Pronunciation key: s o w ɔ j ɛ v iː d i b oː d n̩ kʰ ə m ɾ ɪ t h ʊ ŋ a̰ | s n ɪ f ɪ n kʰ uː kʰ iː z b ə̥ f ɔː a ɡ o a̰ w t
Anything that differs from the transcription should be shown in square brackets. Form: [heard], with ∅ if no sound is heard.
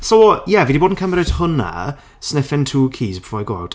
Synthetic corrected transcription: s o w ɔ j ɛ v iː d i b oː d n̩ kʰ ə m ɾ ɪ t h ʊ [n] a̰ | s n ɪ f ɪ n [tʰ] uː kʰ iː z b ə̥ f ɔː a ɡ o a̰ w t

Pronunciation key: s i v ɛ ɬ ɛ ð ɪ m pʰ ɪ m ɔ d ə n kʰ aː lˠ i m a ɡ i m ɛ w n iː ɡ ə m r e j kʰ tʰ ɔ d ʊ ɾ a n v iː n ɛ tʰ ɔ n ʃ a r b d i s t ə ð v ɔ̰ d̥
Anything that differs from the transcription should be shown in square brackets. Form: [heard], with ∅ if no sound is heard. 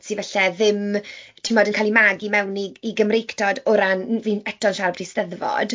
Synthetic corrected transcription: s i v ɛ ɬ ɛ ð ɪ m [tʰ] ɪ m ɔ d ə n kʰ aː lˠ i m a ɡ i m ɛ w n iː ɡ ə m r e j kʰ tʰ ɔ d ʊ ɾ a n v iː n ɛ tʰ ɔ n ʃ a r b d i s t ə ð v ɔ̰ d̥

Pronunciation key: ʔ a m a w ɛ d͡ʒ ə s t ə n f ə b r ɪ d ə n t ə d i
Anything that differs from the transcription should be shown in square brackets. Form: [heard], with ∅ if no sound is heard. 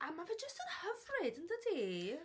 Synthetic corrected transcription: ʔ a m a [v] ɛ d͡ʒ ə s t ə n [h] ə [v] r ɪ d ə n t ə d i

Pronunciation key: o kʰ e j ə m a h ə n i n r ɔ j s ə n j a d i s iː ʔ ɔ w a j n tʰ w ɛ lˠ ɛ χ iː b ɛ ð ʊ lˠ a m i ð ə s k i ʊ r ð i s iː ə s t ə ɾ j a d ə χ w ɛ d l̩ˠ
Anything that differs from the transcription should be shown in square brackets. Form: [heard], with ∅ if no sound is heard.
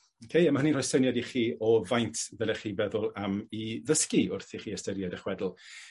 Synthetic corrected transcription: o kʰ e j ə m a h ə n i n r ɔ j s ə n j a d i [χ] iː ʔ ɔ [v] a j n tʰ [v] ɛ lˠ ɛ χ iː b ɛ ð ʊ lˠ a m i ð ə s k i ʊ r [θ] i [χ] iː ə s t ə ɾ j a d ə χ w ɛ d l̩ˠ

